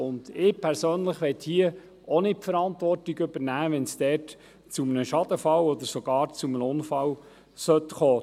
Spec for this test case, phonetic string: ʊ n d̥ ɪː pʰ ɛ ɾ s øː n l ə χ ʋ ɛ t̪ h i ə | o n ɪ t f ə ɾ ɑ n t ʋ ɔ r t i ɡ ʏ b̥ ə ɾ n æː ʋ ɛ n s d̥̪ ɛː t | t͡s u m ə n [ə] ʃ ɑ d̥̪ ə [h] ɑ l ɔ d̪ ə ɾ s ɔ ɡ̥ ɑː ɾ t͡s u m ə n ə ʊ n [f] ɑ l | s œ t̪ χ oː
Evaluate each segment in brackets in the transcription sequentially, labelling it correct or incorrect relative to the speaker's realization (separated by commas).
correct, incorrect, correct